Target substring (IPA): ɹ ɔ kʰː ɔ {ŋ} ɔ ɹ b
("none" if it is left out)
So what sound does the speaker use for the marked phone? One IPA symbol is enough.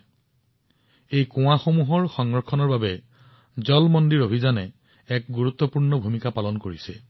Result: n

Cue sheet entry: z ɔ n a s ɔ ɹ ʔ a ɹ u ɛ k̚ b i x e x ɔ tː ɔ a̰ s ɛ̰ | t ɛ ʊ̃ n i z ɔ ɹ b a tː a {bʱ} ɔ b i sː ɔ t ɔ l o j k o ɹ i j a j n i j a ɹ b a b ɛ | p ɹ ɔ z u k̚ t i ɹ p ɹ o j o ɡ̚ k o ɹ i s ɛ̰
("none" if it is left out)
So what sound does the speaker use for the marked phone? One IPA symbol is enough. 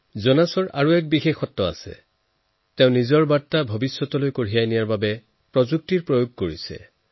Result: bʱ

